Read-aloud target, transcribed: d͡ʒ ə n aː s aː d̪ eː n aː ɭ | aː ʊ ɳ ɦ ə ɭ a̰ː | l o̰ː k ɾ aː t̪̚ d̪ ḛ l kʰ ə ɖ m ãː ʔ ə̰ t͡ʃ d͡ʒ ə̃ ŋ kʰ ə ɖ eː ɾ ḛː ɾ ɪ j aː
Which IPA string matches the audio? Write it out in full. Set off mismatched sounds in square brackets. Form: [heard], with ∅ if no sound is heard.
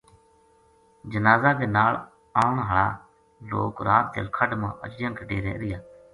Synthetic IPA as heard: d͡ʒ ə n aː [z] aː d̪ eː n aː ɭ | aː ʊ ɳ ɦ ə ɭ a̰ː | l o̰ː k ɾ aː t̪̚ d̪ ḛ l kʰ ə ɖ m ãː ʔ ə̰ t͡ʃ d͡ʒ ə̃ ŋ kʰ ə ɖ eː ɾ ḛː ɾ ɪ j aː